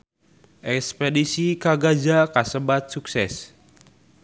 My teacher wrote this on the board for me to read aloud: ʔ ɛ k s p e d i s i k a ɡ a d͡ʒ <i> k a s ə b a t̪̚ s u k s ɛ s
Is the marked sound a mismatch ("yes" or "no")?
yes